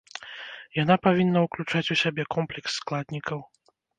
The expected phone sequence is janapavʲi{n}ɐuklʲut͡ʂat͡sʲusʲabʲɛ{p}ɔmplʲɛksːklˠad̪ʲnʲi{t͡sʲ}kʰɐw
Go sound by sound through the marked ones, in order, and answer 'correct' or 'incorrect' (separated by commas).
incorrect, incorrect, incorrect